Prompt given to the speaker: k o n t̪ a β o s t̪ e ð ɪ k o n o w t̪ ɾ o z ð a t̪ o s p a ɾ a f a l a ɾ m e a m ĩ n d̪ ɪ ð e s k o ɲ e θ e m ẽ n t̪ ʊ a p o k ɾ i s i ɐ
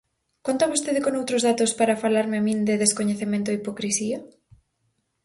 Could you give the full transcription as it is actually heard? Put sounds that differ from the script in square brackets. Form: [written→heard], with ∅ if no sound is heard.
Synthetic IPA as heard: k o n t̪ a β o s t̪ e ð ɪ k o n o w t̪ ɾ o z ð a t̪ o s p a ɾ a f a l a ɾ m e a m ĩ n d̪ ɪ ð e s k o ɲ e θ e m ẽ n t̪ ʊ [a→i] p o k ɾ i s i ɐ